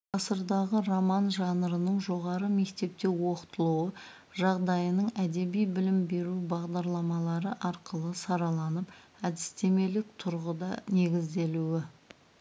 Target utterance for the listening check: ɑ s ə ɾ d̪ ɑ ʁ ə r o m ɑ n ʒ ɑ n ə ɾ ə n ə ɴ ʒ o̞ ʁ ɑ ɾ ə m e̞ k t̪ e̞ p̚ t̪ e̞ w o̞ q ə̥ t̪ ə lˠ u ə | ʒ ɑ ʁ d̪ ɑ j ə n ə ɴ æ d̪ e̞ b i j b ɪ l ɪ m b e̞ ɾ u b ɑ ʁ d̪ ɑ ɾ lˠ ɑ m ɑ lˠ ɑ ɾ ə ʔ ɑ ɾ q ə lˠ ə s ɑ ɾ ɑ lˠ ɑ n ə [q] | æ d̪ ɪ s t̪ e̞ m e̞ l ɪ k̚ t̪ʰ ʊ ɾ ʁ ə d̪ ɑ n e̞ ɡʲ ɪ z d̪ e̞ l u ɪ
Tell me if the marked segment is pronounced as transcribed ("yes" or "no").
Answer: no